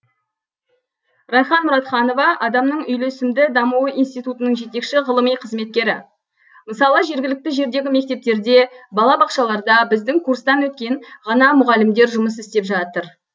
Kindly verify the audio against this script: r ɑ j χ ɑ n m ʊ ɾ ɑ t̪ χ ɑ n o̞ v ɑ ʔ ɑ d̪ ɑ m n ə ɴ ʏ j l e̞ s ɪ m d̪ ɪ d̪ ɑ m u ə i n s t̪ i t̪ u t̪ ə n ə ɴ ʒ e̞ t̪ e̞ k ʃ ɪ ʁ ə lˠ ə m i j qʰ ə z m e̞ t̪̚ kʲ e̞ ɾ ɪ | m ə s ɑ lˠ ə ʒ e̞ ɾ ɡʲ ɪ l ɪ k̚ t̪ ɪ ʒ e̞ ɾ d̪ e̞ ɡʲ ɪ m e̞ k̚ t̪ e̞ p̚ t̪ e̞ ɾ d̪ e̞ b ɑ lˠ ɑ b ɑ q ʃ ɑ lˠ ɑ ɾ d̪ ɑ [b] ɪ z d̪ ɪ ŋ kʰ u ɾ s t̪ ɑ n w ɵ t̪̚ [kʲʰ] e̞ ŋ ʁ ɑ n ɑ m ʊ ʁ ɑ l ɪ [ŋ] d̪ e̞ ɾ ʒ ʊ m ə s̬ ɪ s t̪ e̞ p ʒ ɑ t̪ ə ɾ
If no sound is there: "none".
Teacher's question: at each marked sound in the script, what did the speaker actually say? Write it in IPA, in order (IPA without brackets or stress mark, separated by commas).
b, kʲ, m